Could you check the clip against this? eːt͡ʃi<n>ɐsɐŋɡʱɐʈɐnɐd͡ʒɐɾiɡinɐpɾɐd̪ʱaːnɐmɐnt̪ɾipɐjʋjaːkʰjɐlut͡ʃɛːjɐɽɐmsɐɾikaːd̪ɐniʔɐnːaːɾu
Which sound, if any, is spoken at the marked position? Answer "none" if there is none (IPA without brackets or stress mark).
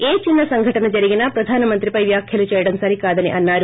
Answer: nː